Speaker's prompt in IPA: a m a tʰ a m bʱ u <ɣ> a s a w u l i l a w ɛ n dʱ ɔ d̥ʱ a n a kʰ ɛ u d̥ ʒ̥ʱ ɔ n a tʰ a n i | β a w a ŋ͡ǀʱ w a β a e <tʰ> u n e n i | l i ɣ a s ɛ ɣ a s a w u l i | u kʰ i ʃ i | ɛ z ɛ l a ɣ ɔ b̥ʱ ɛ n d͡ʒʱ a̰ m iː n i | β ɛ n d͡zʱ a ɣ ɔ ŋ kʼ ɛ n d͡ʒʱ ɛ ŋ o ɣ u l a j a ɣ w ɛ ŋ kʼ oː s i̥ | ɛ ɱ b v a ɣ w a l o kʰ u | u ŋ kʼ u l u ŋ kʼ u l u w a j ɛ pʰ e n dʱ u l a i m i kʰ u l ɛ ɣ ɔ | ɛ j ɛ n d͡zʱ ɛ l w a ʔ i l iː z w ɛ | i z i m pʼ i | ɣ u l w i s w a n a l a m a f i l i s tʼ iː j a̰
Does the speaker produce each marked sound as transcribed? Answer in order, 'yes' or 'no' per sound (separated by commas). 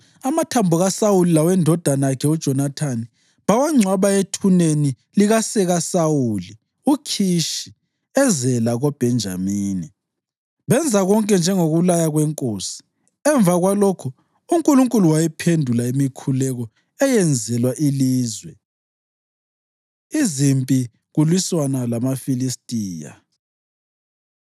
yes, yes